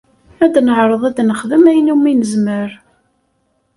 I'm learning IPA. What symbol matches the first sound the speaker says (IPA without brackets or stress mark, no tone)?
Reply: æ